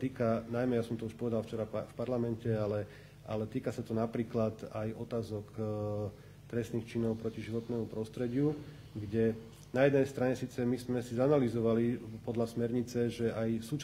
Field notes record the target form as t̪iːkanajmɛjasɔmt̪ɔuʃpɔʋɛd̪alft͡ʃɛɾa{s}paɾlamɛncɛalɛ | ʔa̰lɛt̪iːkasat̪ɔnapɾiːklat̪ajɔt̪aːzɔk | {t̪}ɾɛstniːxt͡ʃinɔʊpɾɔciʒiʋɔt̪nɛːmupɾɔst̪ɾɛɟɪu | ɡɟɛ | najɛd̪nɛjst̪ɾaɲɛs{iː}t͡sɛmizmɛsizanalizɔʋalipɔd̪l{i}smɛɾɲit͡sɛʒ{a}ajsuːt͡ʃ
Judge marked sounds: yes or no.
no, yes, yes, no, no

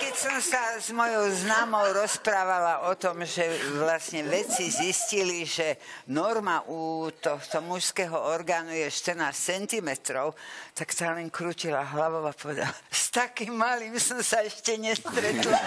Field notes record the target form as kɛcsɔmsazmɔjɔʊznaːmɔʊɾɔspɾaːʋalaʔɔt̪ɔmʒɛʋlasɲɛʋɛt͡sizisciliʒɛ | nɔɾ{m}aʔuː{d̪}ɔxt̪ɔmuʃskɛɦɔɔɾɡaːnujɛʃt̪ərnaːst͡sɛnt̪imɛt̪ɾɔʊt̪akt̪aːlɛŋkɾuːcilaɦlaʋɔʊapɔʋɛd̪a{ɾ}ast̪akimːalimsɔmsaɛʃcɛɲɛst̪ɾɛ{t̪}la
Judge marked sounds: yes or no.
yes, no, no, yes

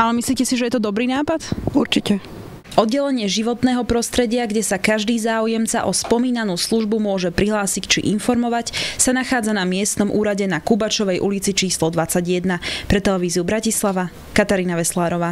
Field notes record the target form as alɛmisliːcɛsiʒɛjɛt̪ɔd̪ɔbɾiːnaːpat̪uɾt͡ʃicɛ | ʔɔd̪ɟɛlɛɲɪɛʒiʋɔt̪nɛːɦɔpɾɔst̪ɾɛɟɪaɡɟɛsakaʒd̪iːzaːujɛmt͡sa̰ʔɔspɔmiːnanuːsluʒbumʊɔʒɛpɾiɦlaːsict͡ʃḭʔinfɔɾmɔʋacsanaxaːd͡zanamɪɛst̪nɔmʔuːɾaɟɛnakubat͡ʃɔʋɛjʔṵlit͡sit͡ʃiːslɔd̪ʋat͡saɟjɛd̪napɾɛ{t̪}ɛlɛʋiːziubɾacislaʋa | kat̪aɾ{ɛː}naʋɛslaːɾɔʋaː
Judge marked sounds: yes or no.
yes, no

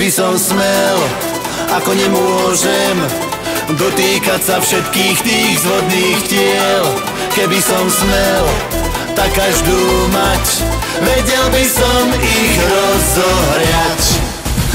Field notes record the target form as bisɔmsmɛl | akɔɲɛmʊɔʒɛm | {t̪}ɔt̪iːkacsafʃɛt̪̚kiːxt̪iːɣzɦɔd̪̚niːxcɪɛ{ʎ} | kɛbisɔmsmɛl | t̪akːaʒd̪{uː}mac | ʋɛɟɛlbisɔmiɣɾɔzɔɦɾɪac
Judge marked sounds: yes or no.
no, no, yes

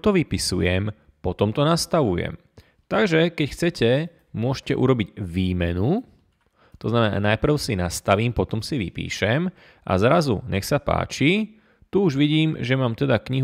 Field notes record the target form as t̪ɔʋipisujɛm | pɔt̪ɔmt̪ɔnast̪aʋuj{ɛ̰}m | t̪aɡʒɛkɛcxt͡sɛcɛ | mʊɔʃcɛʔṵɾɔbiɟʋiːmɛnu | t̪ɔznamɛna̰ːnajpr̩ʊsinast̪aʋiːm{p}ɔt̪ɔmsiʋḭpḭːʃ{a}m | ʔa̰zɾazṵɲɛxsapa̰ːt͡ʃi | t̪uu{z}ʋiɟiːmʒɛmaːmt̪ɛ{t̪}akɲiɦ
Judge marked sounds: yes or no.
yes, yes, no, no, no

